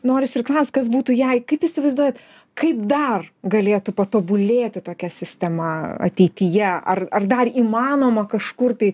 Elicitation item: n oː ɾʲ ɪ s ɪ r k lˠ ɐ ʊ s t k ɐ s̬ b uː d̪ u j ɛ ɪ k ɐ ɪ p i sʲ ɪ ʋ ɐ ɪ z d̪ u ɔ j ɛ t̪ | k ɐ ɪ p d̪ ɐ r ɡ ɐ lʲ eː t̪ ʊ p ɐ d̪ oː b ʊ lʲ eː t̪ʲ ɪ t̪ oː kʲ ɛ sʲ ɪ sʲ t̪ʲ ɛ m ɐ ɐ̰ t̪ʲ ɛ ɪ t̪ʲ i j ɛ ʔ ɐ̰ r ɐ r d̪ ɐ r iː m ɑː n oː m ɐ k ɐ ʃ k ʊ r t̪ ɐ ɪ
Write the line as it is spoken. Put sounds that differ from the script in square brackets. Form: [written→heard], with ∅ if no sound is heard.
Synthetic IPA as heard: n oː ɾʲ ɪ s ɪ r k lˠ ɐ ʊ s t k ɐ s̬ b uː [d̪→t̪] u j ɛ ɪ k ɐ ɪ p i sʲ ɪ ʋ ɐ ɪ z d̪ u ɔ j ɛ t̪ | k ɐ ɪ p d̪ ɐ r ɡ ɐ lʲ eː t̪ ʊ p ɐ [d̪→t̪] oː b ʊ lʲ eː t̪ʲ ɪ t̪ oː kʲ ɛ sʲ ɪ sʲ t̪ʲ ɛ m ɐ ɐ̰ t̪ʲ ɛ ɪ t̪ʲ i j ɛ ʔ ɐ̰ r ɐ r d̪ ɐ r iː m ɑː n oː m ɐ k ɐ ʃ k ʊ r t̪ ɐ ɪ